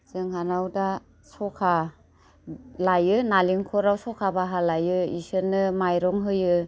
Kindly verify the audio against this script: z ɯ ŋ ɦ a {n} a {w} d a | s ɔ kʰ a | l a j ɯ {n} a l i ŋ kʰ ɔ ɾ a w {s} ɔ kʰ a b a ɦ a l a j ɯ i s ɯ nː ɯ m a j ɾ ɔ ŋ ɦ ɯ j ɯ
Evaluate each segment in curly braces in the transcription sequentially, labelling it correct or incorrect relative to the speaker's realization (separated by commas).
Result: correct, correct, correct, correct